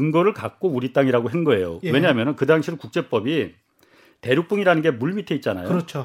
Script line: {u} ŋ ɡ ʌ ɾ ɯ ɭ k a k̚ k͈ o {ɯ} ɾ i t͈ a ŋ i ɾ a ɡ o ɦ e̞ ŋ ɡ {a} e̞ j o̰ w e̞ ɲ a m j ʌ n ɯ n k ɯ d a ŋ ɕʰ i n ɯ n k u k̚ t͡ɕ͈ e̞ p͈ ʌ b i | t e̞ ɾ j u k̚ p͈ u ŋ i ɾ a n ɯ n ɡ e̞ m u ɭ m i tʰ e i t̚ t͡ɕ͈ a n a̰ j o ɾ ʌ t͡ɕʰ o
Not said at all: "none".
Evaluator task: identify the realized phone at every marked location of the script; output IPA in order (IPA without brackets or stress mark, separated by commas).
ɯ, u, ʌ